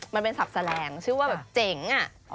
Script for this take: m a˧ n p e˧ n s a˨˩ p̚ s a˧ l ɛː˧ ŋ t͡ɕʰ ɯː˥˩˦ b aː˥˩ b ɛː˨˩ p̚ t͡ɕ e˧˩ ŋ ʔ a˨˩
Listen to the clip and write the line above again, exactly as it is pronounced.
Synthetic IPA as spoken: m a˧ n p e˧ n s a˨˩ p̚ s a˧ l ɛː˧ ŋ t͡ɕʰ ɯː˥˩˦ w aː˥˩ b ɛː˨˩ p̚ t͡ɕ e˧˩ ŋ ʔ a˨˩